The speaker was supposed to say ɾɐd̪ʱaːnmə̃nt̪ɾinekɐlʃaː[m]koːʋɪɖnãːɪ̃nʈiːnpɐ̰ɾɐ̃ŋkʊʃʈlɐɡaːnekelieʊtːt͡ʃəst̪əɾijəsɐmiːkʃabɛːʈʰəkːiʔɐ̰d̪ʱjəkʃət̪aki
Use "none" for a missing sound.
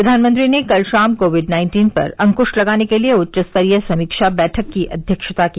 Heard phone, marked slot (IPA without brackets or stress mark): m